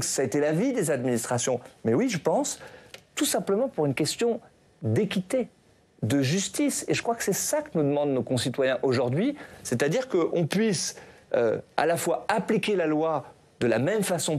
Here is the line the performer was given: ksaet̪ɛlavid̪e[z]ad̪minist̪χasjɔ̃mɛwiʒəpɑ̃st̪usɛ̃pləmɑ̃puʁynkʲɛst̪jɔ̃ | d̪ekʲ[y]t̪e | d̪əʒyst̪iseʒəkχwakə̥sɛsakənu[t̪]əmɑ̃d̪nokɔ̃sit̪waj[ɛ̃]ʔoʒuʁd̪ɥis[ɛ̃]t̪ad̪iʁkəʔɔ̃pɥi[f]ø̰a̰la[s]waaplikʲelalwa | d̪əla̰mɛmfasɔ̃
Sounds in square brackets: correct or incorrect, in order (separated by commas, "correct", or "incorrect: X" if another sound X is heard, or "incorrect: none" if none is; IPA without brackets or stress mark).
correct, incorrect: i, incorrect: d̪, correct, incorrect: ɛ, incorrect: s, incorrect: f